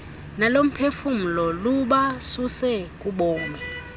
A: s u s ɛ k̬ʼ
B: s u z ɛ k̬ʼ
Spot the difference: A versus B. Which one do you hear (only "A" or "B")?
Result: A